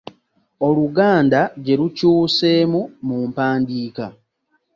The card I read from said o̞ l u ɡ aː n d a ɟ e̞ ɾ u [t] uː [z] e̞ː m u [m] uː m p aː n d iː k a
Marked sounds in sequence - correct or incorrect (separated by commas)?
incorrect, incorrect, correct